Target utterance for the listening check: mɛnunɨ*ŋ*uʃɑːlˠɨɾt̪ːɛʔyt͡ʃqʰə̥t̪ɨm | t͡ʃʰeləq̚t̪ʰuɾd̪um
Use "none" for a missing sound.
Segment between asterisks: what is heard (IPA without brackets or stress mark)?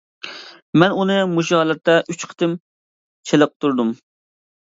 m